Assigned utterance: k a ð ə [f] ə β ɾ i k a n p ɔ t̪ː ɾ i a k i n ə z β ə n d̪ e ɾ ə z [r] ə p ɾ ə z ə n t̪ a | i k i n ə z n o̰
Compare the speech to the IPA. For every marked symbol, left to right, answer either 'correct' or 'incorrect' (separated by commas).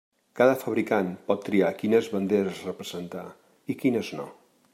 correct, correct